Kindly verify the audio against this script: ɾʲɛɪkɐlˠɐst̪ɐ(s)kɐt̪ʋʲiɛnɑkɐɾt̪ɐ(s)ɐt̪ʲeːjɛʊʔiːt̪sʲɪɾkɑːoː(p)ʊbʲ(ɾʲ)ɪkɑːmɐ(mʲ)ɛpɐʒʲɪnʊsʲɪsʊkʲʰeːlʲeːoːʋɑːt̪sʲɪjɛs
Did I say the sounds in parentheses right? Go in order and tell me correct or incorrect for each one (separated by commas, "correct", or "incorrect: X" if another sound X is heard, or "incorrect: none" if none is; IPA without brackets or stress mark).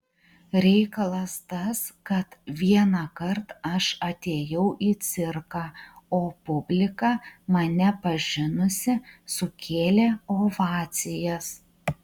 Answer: correct, incorrect: ʃ, correct, incorrect: lʲ, incorrect: nʲ